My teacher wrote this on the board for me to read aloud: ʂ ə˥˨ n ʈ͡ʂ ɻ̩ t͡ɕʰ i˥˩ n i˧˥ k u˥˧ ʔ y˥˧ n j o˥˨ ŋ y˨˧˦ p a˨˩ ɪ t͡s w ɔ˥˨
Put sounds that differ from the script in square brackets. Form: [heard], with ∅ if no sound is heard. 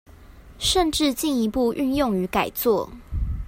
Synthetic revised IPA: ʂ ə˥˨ n ʈ͡ʂ ɻ̩ [t͡ɕ] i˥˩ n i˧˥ [p] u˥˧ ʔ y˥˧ n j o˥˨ ŋ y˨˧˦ [k] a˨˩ ɪ t͡s w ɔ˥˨